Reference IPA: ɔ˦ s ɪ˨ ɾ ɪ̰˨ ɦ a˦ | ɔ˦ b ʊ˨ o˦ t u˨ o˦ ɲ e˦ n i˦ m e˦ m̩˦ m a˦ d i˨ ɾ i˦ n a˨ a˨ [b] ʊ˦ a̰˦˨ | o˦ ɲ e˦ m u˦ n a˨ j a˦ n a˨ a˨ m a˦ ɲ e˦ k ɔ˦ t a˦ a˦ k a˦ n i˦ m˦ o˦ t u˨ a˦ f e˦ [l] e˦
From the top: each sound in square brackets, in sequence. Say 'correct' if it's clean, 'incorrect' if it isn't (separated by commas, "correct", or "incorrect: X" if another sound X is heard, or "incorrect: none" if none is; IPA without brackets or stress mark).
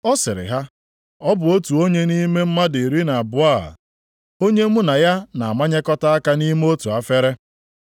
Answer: correct, incorrect: ɾ